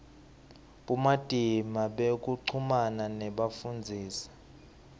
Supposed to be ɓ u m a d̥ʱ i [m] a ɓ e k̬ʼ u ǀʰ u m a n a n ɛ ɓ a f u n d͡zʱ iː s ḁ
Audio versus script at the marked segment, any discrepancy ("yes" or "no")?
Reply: no